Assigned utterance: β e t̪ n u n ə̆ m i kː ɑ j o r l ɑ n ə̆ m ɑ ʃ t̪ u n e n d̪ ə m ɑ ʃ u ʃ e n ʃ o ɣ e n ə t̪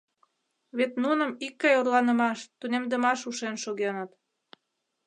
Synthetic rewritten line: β e t̪ n u n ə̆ m i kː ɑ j o r l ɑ n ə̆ m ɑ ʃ t̪ u n e m d̪ ə m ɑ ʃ u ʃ e n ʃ o ɣ e n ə t̪